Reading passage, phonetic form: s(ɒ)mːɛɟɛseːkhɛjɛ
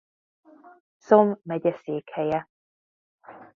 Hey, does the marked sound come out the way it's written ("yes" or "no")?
no